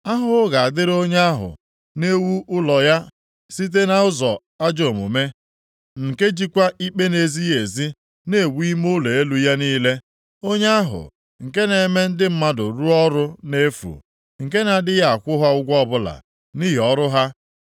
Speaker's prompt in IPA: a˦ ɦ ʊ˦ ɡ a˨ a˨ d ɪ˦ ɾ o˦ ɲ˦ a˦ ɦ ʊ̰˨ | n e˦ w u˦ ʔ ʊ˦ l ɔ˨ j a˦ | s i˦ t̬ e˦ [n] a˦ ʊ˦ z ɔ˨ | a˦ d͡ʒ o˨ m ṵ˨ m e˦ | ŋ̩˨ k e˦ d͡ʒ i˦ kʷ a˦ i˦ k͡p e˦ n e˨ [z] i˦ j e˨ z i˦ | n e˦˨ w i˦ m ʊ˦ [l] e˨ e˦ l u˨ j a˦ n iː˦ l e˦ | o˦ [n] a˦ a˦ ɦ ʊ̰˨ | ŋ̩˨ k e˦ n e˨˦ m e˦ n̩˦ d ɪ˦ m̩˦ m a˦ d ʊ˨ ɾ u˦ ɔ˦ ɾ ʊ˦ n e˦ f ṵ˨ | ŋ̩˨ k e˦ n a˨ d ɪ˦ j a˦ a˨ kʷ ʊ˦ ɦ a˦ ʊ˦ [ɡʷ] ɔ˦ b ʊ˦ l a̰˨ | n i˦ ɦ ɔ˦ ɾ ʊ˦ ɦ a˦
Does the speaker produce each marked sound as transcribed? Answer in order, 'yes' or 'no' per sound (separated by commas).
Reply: yes, yes, yes, no, yes